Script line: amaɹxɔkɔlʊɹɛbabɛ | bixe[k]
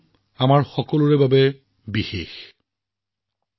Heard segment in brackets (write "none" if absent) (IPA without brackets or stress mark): x